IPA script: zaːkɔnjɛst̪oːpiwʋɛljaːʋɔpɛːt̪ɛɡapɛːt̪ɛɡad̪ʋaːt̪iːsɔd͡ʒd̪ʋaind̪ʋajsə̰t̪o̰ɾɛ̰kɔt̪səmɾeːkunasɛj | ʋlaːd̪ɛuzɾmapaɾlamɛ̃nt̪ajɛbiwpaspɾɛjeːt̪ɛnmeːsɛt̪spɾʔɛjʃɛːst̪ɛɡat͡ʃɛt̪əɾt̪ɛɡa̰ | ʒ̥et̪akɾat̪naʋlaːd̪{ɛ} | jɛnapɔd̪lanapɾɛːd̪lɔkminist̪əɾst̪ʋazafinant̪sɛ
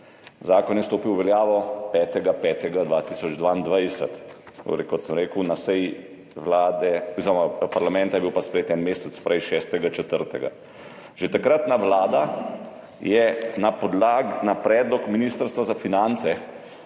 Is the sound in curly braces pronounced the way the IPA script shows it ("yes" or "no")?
no